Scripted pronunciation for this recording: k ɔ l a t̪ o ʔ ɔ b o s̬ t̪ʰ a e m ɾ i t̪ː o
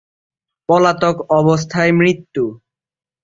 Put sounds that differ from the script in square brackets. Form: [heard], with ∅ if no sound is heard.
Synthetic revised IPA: [p] ɔ l a t̪ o [k] ɔ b o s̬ t̪ʰ a e m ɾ i t̪ː [u]